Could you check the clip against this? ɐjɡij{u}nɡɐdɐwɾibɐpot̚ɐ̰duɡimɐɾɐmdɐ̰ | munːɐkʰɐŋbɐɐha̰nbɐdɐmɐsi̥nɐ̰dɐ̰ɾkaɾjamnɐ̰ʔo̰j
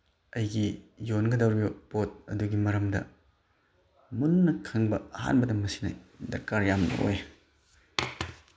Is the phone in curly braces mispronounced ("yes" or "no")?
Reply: yes